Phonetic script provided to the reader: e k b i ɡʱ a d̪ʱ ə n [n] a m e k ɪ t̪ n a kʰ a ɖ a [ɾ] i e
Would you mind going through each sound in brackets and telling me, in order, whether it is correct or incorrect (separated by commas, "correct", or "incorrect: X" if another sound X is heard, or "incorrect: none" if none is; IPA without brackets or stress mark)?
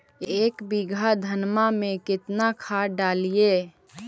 incorrect: m, incorrect: l